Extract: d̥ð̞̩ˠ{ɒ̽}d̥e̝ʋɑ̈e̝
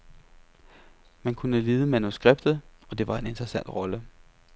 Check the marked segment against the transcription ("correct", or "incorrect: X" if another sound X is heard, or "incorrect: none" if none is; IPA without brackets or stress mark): correct